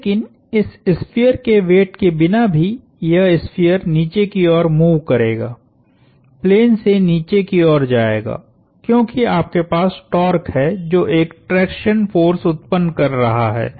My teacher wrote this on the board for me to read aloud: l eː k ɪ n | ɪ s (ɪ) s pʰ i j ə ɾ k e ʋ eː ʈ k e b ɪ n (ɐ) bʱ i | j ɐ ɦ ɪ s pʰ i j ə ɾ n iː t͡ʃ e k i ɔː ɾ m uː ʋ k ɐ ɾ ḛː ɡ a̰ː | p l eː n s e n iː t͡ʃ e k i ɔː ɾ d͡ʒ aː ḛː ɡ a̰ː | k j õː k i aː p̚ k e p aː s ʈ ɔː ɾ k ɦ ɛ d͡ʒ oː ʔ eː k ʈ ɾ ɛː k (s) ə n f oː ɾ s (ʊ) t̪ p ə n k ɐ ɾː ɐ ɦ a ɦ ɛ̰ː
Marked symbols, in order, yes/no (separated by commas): yes, no, no, yes